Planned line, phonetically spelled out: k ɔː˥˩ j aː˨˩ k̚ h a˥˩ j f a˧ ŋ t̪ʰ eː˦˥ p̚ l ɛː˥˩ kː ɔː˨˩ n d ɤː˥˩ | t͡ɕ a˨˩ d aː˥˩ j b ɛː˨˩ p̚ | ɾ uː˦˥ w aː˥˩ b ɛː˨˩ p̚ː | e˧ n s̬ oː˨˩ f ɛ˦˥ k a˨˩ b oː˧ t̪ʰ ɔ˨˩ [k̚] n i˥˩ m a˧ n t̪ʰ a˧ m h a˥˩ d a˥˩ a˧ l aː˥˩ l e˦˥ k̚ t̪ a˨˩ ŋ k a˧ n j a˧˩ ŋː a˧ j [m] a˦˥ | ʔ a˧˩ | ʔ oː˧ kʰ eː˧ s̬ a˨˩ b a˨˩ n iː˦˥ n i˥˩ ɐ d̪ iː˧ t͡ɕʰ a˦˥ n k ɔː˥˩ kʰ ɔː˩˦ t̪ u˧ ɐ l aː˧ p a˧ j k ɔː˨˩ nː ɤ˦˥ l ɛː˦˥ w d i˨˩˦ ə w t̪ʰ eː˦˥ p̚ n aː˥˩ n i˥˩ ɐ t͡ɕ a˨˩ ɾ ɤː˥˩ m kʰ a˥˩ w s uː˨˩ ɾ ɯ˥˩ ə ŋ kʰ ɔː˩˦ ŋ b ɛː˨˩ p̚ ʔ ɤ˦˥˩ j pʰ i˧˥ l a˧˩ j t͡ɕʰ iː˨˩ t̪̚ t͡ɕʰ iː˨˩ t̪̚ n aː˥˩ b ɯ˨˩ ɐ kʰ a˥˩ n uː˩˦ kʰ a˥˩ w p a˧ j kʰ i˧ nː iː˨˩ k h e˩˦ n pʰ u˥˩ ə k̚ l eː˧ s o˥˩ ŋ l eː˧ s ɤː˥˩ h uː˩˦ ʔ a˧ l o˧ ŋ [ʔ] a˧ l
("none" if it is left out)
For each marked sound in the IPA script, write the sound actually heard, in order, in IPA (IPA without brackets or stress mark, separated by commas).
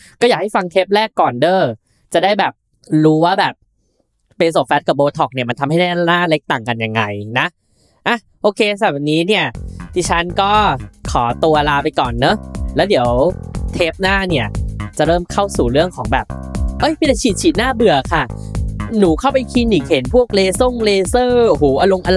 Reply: k̚, n, ʔ